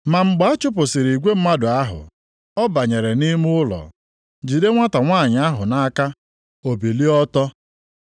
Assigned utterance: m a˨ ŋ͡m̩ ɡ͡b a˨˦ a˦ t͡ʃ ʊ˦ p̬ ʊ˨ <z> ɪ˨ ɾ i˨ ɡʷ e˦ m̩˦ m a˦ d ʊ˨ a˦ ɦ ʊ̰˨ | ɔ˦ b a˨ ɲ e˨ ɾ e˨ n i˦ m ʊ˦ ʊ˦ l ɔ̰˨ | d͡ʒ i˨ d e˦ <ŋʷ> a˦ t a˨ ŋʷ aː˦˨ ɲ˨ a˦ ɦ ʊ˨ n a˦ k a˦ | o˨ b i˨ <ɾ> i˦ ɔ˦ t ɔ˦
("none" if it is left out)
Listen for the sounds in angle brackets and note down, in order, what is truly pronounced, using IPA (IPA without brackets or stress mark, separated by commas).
s, ŋʷ, l